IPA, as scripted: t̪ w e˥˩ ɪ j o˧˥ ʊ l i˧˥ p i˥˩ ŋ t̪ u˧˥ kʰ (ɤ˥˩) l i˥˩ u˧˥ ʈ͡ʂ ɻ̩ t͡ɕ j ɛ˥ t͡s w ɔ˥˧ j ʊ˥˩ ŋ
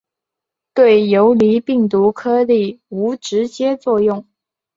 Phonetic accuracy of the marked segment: incorrect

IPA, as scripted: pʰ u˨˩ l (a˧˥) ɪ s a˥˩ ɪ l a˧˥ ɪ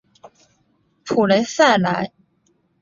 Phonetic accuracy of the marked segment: incorrect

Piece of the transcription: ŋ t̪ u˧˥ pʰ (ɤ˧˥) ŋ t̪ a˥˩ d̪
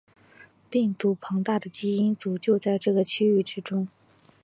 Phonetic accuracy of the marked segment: correct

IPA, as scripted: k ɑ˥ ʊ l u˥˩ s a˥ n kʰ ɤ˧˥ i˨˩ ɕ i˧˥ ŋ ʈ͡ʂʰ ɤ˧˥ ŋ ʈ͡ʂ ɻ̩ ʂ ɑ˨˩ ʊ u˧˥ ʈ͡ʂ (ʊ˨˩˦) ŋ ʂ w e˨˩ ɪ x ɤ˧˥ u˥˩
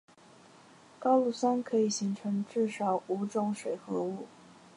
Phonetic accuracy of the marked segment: incorrect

